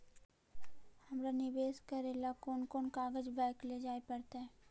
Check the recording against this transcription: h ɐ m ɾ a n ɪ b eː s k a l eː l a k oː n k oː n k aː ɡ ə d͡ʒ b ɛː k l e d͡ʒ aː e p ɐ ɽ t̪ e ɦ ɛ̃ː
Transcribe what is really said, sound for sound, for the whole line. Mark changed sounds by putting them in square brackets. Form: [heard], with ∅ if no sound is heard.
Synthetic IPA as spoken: h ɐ m ɾ a n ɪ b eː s k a [ɾ] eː l a k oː n k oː n k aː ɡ ə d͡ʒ b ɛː k l e d͡ʒ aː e p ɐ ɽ t̪ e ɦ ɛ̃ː